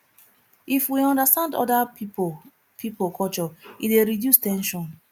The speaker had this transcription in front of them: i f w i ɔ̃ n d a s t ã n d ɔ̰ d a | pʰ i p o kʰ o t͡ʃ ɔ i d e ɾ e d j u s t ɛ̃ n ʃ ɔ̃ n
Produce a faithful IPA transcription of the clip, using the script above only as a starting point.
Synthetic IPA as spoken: i f w i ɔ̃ n d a s t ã n d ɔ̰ d a | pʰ i p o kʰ ɔ t͡ʃ ɔ i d e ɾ i d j u s t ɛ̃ n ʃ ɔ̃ n